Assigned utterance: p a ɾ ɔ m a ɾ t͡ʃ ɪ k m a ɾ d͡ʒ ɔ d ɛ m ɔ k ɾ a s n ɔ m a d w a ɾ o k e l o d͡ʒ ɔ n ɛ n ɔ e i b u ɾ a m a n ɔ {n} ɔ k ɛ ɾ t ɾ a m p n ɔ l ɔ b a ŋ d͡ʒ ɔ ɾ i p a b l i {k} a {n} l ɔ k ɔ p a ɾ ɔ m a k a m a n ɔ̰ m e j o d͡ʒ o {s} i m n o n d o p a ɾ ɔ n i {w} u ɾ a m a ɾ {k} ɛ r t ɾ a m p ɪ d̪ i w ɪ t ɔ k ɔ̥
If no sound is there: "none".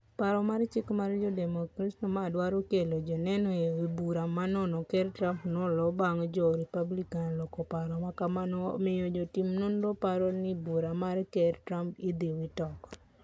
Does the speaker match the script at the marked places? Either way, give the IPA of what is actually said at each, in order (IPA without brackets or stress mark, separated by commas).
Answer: n, k, n, t, b, k